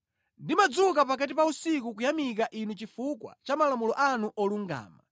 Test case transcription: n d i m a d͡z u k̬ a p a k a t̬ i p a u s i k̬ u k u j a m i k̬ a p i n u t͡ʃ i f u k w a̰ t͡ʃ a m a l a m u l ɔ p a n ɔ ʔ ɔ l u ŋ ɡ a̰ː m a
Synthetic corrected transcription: n d i m a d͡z u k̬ a p a k a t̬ i p a u s i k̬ u k u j a m i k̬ a ʔ i n u t͡ʃ i f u k w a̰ t͡ʃ a m a l a m u l ɔ ʔ a n u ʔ ɔ l u ŋ ɡ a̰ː m a

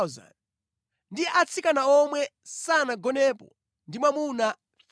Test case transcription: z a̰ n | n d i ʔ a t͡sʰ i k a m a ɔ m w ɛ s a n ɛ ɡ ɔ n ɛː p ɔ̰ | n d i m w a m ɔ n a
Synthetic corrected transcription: z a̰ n | n d i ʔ a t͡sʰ i k a n a ɔ m w ɛ s a n a ɡ ɔ n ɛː p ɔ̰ | n d i m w a m u n a

